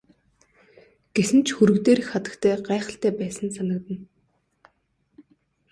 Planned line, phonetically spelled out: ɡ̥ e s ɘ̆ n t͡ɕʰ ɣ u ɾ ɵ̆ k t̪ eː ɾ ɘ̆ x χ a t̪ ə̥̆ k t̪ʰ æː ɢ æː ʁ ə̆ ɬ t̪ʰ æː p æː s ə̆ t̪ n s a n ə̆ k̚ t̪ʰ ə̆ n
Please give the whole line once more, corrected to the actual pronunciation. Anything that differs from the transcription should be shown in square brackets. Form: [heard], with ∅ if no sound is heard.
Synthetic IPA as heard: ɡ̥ e s ɘ̆ n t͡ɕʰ [x] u ɾ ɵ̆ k t̪ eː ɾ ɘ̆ x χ a t̪ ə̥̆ k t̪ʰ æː ɢ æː [χ] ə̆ ɬ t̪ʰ æː p æː s ə̆ [∅] n s a n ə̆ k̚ [t̪] ə̆ n